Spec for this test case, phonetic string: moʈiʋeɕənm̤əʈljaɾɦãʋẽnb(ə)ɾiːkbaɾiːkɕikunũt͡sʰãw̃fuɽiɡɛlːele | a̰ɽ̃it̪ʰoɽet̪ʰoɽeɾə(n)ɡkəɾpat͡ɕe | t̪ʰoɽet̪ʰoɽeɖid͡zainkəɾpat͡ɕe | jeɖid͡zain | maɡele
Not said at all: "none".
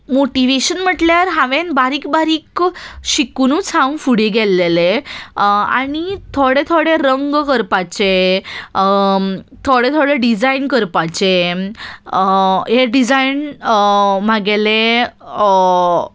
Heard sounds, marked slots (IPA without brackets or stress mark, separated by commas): a, ŋ